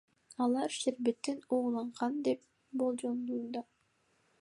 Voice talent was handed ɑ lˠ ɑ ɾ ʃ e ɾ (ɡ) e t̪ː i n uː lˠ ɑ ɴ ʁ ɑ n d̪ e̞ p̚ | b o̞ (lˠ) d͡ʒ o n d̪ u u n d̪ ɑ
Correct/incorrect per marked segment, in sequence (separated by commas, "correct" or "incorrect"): incorrect, correct